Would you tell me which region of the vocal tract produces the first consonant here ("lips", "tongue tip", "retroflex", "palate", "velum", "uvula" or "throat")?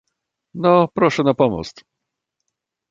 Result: tongue tip